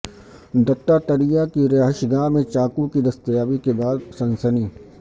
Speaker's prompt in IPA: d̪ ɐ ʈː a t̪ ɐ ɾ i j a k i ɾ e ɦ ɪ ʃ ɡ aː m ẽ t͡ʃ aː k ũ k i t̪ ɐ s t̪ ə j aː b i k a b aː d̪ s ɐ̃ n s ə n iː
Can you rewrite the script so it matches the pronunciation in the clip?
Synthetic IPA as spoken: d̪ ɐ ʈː a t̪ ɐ ɾ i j a k i ɾ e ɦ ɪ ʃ ɡ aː m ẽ t͡ʃ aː k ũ k i d̪ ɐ s t̪ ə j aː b i k e b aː d̪ s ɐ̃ n s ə n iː